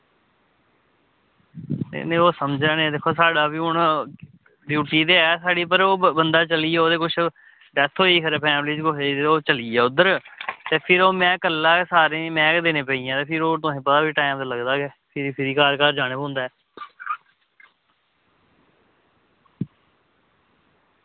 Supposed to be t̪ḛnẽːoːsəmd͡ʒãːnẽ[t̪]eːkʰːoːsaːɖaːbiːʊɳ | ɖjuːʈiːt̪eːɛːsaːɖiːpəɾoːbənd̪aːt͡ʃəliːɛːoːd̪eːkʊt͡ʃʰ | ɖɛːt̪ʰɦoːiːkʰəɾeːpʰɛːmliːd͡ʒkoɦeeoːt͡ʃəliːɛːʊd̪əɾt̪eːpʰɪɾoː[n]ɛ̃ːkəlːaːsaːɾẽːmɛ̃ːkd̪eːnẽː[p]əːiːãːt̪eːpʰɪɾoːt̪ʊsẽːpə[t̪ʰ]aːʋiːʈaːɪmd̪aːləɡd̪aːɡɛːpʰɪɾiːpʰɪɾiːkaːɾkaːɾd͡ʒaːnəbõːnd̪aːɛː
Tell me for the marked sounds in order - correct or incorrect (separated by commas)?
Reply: incorrect, incorrect, correct, incorrect